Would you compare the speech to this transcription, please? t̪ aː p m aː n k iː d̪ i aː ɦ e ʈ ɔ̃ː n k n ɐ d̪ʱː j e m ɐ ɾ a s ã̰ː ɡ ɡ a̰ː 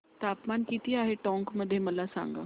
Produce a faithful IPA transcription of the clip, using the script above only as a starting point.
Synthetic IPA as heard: t̪ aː p m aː n k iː t̪ i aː ɦ e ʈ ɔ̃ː ŋ k m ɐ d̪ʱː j e m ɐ l a s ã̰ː ŋ ɡ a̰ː